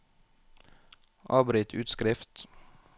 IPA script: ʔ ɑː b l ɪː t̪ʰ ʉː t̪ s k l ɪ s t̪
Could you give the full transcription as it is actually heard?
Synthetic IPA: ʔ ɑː b ɾ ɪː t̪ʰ ʉː t̪ s k ɾ ɪ f t̪